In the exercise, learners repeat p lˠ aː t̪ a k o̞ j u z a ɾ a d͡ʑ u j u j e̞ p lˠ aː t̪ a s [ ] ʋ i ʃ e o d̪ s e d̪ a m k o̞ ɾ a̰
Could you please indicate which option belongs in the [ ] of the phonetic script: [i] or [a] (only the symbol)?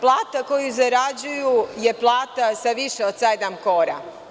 a